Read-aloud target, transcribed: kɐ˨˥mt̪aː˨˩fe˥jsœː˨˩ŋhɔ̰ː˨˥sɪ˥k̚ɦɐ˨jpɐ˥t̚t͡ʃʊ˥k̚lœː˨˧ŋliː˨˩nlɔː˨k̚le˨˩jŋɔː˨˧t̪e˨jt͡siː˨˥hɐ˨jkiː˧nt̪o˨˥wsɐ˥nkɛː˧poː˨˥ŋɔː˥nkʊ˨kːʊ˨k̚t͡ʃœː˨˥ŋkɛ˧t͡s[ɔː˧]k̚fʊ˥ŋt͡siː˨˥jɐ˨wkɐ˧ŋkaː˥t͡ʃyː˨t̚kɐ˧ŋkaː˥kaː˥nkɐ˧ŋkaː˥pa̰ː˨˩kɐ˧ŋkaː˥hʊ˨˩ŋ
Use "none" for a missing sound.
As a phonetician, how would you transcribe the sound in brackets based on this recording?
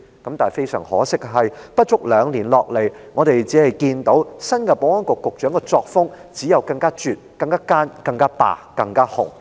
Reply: ɔː˧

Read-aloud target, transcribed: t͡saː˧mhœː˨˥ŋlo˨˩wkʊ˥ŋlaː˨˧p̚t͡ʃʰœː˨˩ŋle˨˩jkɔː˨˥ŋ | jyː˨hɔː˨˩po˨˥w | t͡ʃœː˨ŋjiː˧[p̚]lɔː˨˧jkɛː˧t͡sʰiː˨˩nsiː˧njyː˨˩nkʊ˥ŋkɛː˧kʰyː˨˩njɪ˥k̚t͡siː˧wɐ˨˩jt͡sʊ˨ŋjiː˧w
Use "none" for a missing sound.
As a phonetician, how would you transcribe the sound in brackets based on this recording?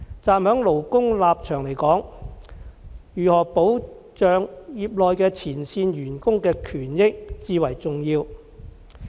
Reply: p̚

